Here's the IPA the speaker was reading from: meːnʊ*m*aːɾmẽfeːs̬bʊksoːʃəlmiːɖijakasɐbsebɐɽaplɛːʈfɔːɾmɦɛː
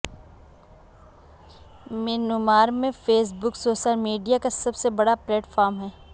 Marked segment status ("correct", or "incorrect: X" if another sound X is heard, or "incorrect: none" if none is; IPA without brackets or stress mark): correct